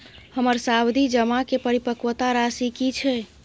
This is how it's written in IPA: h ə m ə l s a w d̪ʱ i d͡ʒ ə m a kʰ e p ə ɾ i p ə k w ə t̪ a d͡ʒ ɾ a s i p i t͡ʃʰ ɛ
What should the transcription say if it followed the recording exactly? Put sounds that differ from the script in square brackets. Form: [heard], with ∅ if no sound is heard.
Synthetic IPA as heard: h ə m ə [ɾ] s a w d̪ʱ i d͡ʒ ə m a [k] e p ə ɾ i p ə k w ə t̪ a [∅] ɾ a s i [k] i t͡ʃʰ ɛ